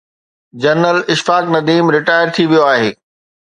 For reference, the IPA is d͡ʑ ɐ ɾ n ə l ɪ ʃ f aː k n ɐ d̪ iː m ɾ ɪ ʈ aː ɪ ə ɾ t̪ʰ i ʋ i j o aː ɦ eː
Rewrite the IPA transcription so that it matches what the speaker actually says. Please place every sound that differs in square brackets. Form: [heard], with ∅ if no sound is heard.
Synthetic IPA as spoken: d͡ʑ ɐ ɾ n ə l ɪ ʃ f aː k n ɐ d̪ iː m ɾ ɪ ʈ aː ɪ ə ɾ t̪ʰ i ʋ i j o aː ɦ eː